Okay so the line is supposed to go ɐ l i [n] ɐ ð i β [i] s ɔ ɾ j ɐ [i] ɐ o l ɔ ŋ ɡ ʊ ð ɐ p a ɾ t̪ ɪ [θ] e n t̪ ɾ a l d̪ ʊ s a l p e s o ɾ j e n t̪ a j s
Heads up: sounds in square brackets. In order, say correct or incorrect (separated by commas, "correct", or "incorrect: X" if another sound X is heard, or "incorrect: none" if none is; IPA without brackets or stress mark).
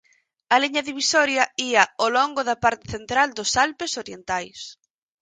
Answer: incorrect: ɲ, correct, correct, correct